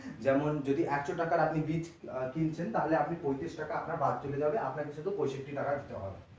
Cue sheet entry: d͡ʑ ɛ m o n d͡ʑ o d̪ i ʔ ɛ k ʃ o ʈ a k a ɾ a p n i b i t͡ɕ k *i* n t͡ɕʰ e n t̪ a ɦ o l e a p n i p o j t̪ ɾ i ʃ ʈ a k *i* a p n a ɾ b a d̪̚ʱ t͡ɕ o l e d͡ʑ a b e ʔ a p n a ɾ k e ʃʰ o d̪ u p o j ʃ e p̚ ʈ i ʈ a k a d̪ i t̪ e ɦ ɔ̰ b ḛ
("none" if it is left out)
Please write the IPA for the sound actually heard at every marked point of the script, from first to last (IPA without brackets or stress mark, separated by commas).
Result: i, a